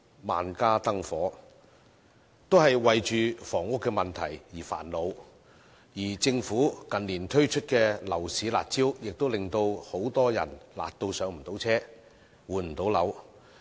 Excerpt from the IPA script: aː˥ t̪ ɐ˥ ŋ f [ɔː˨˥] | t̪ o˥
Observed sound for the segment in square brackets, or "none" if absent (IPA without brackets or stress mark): ɔː˨˥